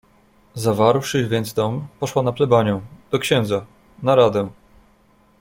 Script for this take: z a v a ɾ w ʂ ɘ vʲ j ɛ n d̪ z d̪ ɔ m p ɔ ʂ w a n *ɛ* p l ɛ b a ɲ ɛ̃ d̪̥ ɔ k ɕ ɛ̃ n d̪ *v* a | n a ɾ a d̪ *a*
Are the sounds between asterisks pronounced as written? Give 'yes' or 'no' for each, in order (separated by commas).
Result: no, no, no